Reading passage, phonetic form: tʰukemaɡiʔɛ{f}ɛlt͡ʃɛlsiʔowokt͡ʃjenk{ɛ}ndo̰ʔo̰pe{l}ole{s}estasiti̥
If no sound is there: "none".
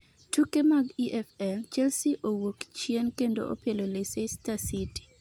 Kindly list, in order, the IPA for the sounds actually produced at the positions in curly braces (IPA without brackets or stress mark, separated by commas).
f, e, l, s